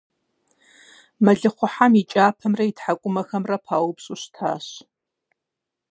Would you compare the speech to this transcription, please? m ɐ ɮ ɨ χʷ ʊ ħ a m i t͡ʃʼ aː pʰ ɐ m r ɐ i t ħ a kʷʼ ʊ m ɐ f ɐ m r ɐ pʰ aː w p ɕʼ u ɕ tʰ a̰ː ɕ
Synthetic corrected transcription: m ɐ ɮ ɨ χʷ ʊ ħ a m i t͡ʃʼ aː pʰ ɐ m r ɐ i t ħ a kʷʼ ʊ m ɐ x ɐ m r ɐ pʰ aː w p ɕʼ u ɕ tʰ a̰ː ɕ